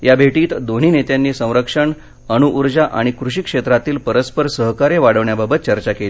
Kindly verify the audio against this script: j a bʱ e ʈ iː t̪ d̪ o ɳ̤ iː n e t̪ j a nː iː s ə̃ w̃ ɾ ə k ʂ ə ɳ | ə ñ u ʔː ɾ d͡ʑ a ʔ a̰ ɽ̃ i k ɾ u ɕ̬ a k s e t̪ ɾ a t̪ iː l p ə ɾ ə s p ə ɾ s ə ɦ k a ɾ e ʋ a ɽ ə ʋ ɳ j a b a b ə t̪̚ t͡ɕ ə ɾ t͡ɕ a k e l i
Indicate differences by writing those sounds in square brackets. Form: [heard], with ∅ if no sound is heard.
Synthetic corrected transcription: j a bʱ e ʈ iː t̪ d̪ o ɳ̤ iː n e t̪ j a nː iː s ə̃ w̃ ɾ ə k ʂ ə ɳ | ə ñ u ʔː ɾ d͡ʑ a ʔ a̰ ɽ̃ i k ɾ u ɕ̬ [i] k [ʂ] e t̪ ɾ a t̪ iː l p ə ɾ ə s p ə ɾ s ə ɦ k a ɾ e ʋ a ɽ ə ʋ ɳ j a b a b ə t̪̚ t͡ɕ ə ɾ t͡ɕ a k e l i